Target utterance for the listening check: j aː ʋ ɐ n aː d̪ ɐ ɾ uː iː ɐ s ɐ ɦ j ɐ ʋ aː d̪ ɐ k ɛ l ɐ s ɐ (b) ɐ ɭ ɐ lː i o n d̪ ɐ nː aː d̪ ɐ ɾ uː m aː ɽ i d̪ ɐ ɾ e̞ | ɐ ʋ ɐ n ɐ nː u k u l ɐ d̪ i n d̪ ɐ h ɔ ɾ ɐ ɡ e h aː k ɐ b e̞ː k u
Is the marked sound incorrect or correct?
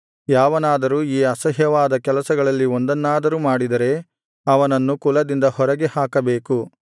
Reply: incorrect